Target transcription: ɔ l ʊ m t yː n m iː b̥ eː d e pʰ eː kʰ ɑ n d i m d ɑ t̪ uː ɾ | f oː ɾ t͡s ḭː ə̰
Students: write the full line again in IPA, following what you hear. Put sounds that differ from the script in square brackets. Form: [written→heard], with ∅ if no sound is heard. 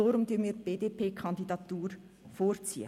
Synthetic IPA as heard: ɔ [l→ɾ] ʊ m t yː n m iː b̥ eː d e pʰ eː kʰ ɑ n d i [m→∅] d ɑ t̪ uː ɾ | f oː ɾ t͡s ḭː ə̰